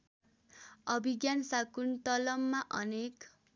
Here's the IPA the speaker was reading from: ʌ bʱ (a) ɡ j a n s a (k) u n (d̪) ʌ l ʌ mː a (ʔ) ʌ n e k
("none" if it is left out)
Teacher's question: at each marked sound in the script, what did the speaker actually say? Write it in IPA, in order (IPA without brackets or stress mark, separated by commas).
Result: i, k, t̪, ʔ